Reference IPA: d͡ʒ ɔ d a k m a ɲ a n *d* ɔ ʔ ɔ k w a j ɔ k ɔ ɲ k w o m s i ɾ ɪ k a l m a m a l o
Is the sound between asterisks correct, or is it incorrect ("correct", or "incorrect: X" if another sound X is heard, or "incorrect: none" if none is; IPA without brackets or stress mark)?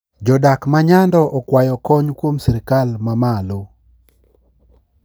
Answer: correct